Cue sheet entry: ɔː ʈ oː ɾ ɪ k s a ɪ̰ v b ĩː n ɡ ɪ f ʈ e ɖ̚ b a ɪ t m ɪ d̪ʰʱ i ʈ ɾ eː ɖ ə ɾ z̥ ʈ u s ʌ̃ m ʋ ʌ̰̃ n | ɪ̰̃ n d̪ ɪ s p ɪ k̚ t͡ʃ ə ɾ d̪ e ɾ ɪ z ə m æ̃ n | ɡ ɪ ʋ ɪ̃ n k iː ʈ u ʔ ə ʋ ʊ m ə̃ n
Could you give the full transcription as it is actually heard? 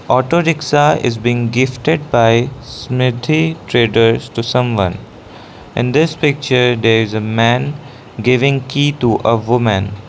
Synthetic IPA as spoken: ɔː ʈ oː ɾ ɪ k s a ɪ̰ z b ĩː ŋ ɡ ɪ f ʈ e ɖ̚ b a ɪ s m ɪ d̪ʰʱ i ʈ ɾ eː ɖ ə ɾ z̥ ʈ u s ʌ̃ m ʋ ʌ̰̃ n | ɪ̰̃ n d̪ ɪ s p ɪ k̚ t͡ʃ ə ɾ d̪ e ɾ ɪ z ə m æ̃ n | ɡ ɪ ʋ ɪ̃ ŋ k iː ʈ u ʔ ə ʋ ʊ m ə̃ n